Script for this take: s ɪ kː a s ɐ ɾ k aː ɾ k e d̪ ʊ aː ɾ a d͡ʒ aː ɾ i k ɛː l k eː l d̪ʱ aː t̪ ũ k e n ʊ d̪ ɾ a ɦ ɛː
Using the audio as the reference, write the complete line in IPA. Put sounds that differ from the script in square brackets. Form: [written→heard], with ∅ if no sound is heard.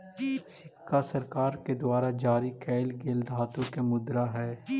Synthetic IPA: s ɪ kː a s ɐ ɾ k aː ɾ k e d̪ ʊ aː ɾ a d͡ʒ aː ɾ i k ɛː l [k→ɡ] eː l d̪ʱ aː t̪ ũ k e [n→m] ʊ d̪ ɾ a ɦ ɛː